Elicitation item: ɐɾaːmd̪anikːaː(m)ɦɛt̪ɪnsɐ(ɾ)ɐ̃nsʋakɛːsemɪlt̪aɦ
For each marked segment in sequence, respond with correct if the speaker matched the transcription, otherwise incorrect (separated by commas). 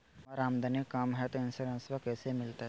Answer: correct, correct